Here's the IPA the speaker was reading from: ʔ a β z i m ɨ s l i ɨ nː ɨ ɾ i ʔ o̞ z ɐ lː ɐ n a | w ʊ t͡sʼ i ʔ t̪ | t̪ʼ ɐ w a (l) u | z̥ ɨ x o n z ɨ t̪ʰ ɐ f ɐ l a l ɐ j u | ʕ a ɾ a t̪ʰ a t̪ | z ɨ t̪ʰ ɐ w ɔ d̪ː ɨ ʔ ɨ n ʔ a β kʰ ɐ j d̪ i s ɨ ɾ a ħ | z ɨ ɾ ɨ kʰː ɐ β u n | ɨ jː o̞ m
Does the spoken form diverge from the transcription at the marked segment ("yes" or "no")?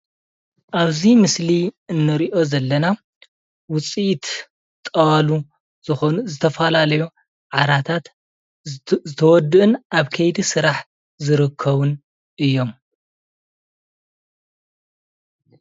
no